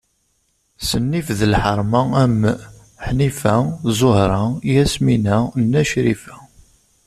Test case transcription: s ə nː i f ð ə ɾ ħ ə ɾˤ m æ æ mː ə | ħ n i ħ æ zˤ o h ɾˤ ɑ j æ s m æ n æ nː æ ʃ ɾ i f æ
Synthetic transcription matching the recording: s ə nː i f ð ə l ħ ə ɾˤ m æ æ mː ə | ħ n i f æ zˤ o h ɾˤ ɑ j æ s m i n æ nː æ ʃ ɾ i f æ

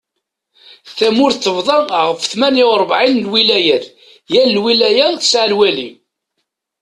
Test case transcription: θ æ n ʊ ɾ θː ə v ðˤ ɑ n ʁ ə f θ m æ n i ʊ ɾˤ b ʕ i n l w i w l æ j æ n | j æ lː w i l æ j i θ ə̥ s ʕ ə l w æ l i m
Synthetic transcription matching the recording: θ æ m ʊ ɾ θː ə v ðˤ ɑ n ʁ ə f θ m æ n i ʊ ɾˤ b ʕ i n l w i l æ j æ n | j æ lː w i l æ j æ θ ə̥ s ʕ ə l w æ l i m

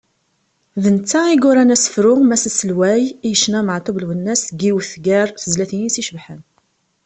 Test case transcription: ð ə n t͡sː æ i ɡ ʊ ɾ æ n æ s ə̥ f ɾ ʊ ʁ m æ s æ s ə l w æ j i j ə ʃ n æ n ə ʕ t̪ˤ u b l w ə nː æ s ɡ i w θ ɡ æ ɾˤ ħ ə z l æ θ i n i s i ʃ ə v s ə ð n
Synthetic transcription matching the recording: ð ə n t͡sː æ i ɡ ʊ ɾ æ n æ s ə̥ f ɾ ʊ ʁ m æ s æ s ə l w æ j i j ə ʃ n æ m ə ʕ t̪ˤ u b l w ə nː æ s ɡ i w θ ɡ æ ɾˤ θ ə z l æ θ i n i s i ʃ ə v ħ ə n

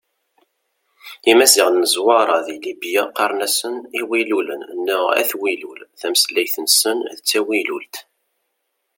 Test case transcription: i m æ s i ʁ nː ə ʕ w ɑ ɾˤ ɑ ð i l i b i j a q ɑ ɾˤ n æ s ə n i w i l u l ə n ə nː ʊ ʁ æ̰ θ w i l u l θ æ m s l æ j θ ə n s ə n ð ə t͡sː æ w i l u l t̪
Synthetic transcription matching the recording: i m æ s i ʁ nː ə z w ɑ ɾˤ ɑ ð i l i b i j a q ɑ ɾˤ n æ s ə n i w i l u l ə n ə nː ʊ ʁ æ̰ θ w i l u l θ æ m s l æ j θ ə n s ə n ð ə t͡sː æ w i l u l t̪

